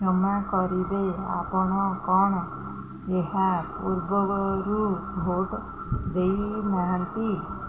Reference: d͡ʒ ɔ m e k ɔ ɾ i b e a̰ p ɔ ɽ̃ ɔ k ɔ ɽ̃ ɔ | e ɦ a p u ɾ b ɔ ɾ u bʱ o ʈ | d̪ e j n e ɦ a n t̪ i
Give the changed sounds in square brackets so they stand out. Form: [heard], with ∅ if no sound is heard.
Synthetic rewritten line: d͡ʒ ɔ m [a] k ɔ ɾ i b e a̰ p ɔ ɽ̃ ɔ k ɔ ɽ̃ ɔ | e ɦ a p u ɾ b ɔ ɾ u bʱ o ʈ | d̪ e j n [a] ɦ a n t̪ i

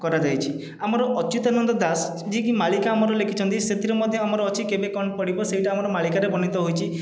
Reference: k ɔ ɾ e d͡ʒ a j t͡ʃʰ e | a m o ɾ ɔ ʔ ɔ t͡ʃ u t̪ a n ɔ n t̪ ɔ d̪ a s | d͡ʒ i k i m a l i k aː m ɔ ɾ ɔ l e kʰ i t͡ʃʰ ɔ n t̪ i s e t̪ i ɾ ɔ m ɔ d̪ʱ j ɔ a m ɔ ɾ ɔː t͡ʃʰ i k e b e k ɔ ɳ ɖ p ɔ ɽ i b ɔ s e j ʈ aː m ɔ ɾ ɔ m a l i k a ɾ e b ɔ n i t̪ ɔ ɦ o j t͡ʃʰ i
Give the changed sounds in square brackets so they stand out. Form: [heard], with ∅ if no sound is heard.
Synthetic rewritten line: k ɔ ɾ [a] d͡ʒ a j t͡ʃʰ [i] | a m [ɔ] ɾ ɔ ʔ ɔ t͡ʃ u t̪ a n ɔ n [d̪] ɔ d̪ a s | d͡ʒ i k i m a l i k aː m ɔ ɾ ɔ l e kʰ i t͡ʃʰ ɔ n t̪ i s e t̪ i ɾ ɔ m ɔ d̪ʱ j ɔ a m ɔ ɾ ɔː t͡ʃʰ i k e b e k ɔ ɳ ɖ p ɔ ɽ i b ɔ s e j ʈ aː m ɔ ɾ ɔ m a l i k a ɾ e b ɔ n i t̪ ɔ ɦ o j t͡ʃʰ i

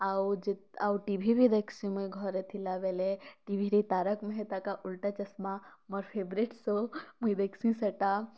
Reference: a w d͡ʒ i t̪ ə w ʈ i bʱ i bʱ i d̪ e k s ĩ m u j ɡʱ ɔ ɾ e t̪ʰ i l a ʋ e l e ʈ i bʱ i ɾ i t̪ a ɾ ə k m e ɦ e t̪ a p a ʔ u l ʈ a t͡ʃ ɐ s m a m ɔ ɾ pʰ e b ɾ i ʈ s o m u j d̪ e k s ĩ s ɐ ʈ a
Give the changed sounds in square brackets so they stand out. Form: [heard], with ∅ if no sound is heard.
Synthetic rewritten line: a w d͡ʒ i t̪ [a] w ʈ i bʱ i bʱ i d̪ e k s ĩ m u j ɡʱ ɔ ɾ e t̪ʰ i l a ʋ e l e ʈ i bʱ i ɾ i t̪ a ɾ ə k m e ɦ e t̪ a [k] a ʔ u l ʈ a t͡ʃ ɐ s m a m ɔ ɾ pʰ e b ɾ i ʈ s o m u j d̪ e k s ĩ s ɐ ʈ a

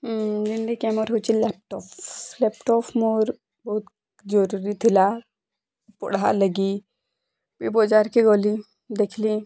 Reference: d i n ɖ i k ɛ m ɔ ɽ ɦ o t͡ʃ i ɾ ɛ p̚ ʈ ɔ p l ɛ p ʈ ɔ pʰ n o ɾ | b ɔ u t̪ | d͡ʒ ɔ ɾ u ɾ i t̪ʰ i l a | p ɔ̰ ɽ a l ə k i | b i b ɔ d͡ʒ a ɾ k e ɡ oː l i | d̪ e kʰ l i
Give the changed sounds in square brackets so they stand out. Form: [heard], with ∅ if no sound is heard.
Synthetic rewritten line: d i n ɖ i k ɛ m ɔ [ɾ] ɦ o t͡ʃ i [l] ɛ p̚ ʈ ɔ p l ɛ p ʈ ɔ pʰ [m] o ɾ | b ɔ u t̪ | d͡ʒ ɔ ɾ u ɾ i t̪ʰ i l a | p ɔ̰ ɽ a l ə [ɡ] i | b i b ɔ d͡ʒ a ɾ k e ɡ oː l i | d̪ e kʰ l i

